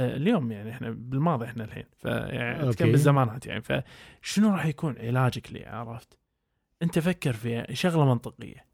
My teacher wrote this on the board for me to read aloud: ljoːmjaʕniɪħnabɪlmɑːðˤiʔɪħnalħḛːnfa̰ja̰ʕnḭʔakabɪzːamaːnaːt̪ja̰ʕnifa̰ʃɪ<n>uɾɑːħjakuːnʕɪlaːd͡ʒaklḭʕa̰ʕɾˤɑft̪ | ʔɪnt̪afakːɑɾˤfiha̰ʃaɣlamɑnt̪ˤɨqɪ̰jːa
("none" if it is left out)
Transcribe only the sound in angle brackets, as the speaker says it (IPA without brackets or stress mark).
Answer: n